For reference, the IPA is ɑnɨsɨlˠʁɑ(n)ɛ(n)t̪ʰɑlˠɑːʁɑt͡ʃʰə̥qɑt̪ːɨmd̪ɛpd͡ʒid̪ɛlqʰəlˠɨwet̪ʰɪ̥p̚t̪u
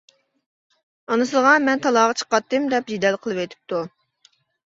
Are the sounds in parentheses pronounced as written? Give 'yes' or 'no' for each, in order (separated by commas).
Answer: no, yes